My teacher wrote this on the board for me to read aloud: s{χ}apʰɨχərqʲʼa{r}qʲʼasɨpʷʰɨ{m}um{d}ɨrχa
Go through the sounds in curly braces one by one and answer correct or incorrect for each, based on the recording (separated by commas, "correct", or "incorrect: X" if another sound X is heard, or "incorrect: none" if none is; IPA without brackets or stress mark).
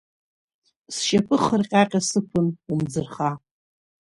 incorrect: ʃ, incorrect: none, incorrect: n, incorrect: d͡z